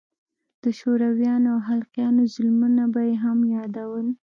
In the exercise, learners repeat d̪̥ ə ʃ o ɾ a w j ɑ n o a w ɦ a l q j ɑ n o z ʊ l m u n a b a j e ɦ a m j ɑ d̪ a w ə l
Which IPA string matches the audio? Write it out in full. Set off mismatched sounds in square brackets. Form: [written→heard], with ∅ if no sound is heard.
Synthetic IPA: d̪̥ ə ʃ o ɾ a w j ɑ n o a w ɦ a l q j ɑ n o z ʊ l m u n a b a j e ɦ a m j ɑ d̪ a w ə l

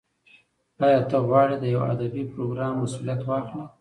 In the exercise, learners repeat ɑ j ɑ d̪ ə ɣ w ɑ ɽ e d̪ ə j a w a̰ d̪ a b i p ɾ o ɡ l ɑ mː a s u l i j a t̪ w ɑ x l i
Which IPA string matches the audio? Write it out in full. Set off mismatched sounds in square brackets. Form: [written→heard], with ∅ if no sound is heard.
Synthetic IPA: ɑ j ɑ [d̪→t̪] ə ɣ w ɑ ɽ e d̪ ə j a w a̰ d̪ a b i p ɾ o ɡ [l→ɾ] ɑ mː a s u l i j a t̪ w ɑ x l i

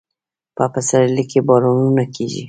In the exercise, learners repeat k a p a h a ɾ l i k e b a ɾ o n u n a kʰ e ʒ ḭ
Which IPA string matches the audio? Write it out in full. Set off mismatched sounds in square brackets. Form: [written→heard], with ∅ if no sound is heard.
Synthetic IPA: [k→p] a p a [h→s] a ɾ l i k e b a ɾ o n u n a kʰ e ʒ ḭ

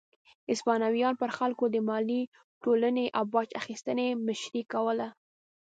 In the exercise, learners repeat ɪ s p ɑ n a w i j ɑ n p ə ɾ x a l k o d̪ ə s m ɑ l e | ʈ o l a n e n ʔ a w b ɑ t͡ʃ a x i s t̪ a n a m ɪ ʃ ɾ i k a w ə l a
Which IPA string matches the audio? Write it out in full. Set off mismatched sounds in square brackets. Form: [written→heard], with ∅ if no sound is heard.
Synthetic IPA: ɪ s p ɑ n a w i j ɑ n p ə ɾ x a l k o d̪ ə [s→∅] m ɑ l [e→i] | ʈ o l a n e [n→∅] ʔ a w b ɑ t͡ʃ a x i s t̪ [a→ə] n [a→e] m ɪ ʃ ɾ i k a w ə l a

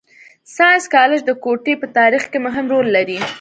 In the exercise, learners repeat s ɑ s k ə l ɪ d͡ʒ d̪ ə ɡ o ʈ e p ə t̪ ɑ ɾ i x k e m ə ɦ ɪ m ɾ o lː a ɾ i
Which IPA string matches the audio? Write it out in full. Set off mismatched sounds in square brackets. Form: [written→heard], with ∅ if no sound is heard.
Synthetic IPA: s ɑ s k [ə→ɑ] l ɪ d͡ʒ d̪ ə [ɡ→k] o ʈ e p ə t̪ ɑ ɾ i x k e m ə ɦ ɪ m ɾ o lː a ɾ i

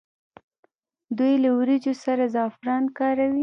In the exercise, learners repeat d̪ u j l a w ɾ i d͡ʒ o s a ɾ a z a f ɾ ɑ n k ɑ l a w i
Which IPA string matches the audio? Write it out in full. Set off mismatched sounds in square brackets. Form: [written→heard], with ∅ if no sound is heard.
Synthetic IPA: d̪ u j l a w ɾ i d͡ʒ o s a ɾ a z [a→ɑ] f ɾ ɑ n k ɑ [l→ɾ] a w i

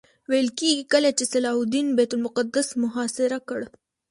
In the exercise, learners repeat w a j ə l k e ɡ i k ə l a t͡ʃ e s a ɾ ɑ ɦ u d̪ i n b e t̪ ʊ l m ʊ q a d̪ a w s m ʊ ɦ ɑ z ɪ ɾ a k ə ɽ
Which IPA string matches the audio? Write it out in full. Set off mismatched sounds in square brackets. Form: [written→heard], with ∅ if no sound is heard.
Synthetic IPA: w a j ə l k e ɡ i k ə l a t͡ʃ e s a [ɾ→l] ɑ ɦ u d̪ i n b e t̪ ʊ l m ʊ q a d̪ a [w→∅] s m ʊ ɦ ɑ [z→s] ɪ ɾ a k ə ɽ

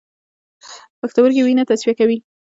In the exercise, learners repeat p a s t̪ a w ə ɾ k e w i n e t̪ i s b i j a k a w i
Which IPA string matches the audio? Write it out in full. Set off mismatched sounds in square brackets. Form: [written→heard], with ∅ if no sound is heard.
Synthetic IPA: p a [s→x] t̪ a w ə ɾ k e w i n [e→a] t̪ [i→a] s [b→w] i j a k a w i

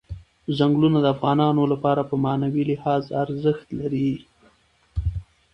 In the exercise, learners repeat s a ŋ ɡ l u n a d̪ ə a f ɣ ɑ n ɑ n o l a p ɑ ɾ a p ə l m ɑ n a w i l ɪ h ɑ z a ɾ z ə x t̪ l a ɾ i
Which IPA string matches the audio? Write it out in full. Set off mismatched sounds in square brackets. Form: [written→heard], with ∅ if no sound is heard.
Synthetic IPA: [s→z] a ŋ ɡ l u n a d̪ ə a f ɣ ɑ n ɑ n o l a p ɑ ɾ a p ə [l→∅] m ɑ n a w i l ɪ h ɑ z a ɾ z ə x t̪ l a ɾ i

